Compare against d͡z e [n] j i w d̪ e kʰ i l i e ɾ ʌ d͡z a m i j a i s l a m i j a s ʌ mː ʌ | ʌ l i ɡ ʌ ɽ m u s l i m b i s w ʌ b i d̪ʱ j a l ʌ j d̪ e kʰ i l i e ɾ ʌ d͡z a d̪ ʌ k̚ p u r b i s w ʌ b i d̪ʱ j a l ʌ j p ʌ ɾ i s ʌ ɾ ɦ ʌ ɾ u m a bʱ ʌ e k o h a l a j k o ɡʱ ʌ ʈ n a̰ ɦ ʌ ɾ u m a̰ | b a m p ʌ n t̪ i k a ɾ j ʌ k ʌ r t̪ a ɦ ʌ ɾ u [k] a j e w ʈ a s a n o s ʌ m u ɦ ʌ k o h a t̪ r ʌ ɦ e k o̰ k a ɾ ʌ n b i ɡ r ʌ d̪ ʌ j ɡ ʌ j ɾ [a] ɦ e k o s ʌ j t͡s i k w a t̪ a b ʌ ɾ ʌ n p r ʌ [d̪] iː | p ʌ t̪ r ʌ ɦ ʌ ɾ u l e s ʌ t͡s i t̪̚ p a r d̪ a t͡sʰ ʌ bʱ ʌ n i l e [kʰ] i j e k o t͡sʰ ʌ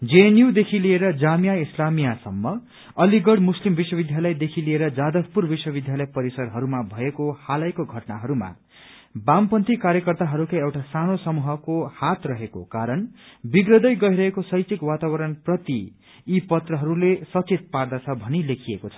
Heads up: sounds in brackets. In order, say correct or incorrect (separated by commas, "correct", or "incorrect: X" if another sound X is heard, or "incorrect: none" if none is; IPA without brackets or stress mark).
correct, correct, incorrect: ʌ, incorrect: t̪, correct